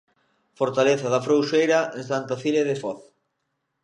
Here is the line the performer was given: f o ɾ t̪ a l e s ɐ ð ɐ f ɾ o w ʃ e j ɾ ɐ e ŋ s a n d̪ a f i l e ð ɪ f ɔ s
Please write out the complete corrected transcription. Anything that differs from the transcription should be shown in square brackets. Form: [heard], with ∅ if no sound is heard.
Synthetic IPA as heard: f o ɾ t̪ a l e [θ] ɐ ð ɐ f ɾ o w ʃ e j ɾ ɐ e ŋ s a n [t̪] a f i l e ð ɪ f ɔ [θ]